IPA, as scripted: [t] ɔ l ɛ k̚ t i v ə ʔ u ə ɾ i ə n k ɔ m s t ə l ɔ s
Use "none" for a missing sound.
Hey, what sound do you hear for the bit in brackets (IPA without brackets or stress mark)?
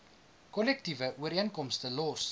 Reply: k